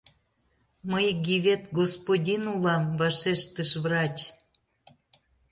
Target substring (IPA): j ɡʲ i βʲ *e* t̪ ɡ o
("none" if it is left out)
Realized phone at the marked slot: e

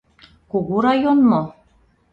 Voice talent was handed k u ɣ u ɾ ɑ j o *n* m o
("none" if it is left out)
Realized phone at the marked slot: n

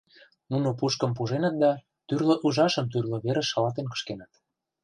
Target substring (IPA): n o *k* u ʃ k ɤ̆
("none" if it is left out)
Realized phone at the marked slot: p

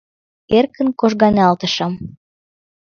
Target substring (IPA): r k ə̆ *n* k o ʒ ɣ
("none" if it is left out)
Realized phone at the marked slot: n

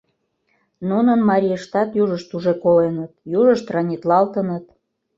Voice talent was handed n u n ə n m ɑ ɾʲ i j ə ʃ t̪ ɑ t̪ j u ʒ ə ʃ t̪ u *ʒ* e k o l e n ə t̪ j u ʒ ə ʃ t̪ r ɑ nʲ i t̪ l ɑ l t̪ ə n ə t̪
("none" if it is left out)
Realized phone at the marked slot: ʒ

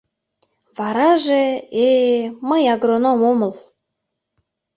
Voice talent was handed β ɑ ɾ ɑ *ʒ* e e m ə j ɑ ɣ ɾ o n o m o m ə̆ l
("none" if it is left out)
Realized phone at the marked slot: ʒ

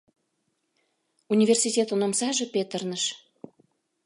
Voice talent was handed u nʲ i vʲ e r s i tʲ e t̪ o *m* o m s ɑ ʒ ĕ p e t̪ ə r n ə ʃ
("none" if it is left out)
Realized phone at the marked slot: n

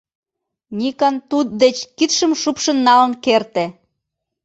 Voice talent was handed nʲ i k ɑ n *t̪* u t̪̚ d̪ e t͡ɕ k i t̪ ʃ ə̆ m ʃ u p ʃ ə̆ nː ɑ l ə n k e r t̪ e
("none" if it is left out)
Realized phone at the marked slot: t̪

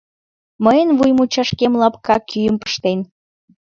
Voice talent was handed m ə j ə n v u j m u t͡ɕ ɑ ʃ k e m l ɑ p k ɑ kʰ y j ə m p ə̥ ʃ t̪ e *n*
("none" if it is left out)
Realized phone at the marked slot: n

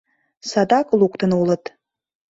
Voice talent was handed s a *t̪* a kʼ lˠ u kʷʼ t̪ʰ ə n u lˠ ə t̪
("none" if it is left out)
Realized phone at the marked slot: d̪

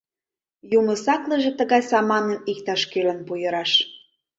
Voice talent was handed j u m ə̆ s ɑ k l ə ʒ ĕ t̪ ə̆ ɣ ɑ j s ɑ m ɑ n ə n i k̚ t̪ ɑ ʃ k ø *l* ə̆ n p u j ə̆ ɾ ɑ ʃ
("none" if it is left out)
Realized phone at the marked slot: l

